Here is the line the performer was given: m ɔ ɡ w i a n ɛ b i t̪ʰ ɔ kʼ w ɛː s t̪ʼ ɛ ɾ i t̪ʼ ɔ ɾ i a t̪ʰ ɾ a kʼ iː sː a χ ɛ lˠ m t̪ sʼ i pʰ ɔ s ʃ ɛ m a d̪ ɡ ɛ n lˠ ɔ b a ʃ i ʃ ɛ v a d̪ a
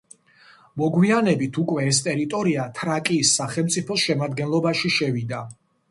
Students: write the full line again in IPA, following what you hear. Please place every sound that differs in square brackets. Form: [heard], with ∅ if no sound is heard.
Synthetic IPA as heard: m ɔ ɡ w i a n ɛ b i t̪ʰ [u] kʼ w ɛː s t̪ʼ ɛ ɾ i t̪ʼ ɔ ɾ i a t̪ʰ ɾ a kʼ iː sː a χ ɛ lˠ m t̪ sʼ i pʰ ɔ s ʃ ɛ m a d̪ ɡ ɛ n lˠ ɔ b a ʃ i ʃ ɛ v [i] d̪ a